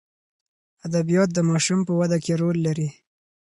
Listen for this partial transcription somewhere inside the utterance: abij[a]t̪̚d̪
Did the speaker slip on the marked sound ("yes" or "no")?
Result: yes